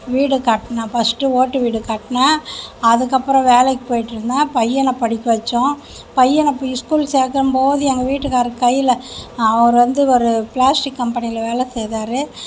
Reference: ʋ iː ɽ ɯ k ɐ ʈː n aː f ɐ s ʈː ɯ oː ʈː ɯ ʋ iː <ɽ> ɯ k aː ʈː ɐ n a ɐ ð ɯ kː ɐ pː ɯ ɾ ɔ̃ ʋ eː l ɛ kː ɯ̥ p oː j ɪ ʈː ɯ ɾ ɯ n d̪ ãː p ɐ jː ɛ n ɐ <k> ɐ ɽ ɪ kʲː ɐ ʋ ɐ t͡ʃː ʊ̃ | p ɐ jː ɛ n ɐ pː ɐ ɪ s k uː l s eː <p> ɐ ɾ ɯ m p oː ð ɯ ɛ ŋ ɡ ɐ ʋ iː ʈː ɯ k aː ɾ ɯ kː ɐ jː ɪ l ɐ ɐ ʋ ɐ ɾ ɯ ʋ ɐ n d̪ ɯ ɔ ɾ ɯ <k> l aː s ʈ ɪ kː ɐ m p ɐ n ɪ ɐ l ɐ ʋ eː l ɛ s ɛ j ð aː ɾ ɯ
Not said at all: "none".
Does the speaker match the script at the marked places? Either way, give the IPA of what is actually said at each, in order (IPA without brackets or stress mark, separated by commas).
ɽ, p, k, p